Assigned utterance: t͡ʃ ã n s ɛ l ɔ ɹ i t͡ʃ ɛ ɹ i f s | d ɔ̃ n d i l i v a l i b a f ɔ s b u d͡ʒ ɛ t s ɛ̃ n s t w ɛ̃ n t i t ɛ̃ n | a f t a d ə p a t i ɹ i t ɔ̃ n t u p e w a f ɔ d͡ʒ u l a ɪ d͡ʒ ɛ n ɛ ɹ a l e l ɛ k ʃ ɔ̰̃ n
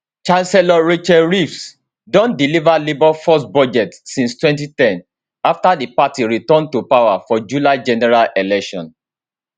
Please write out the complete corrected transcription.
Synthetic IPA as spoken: t͡ʃ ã n s ɛ l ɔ ɹ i t͡ʃ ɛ ɹ i f s | d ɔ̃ n d i l i v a l i b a f ɔ s b ɔ d͡ʒ ɛ t s ĩ n s t w ɛ̃ n t i t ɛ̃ n | a f t a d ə p a t i ɹ i t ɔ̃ n t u p a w a f ɔ d͡ʒ u l a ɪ d͡ʒ ɛ n ɛ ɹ a l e l ɛ k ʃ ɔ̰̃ n